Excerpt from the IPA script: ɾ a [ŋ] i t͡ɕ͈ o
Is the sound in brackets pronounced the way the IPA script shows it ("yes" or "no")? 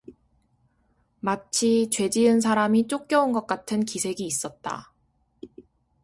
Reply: no